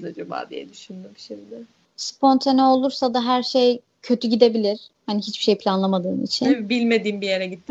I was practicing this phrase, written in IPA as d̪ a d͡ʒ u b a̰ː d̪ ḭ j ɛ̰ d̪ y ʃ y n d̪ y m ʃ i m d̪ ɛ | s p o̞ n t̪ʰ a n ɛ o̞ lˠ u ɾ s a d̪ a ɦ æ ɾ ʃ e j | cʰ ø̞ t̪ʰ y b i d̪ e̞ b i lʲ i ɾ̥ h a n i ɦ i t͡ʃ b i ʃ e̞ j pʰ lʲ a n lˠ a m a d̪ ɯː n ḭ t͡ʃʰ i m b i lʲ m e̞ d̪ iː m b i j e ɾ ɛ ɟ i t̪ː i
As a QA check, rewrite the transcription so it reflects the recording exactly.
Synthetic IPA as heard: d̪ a d͡ʒ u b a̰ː d̪ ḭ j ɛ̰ d̪ y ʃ y n d̪ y m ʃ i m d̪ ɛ | s p o̞ n t̪ʰ a n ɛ o̞ lˠ u ɾ s a d̪ a ɦ æ ɾ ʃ e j | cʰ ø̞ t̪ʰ y ɟ i d̪ e̞ b i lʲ i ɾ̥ h a n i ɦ i t͡ʃ b i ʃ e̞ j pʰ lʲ a n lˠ a m a d̪ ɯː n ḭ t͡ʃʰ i n b i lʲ m e̞ d̪ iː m b i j e ɾ ɛ ɟ i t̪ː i